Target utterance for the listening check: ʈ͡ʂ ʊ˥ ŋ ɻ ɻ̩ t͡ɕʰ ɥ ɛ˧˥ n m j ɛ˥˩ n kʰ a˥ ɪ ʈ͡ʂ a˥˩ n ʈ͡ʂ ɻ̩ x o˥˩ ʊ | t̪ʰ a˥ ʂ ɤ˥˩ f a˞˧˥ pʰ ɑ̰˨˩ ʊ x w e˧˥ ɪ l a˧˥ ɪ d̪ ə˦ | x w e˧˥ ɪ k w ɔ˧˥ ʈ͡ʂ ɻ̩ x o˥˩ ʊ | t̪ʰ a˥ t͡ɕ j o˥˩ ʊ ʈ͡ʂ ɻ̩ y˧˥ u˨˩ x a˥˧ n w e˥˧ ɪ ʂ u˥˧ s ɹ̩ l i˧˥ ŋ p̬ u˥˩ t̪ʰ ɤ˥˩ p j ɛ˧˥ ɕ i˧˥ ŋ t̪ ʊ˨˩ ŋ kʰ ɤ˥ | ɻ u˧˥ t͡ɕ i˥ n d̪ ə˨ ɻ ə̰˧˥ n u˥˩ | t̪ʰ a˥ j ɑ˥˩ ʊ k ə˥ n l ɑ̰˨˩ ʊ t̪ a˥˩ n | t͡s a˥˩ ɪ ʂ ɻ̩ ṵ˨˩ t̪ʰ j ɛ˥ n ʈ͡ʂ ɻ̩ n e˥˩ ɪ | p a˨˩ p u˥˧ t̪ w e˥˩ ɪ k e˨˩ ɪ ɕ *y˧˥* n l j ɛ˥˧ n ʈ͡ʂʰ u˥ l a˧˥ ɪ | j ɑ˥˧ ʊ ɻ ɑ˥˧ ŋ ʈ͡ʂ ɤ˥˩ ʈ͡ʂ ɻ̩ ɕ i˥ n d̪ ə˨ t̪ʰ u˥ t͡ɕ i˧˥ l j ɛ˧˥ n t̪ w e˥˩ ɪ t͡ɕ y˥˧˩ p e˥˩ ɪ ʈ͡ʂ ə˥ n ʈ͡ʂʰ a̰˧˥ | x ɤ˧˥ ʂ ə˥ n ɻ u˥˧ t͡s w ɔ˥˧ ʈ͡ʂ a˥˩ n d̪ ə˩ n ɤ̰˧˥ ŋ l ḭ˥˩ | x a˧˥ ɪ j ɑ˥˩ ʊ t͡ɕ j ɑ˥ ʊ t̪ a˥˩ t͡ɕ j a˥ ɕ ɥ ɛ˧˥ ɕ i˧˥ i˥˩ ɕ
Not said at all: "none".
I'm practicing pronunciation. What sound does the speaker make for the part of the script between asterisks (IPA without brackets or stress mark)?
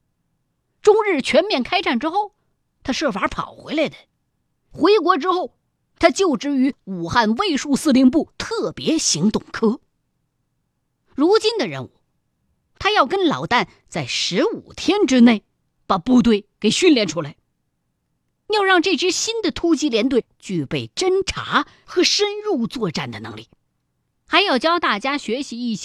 y˥˧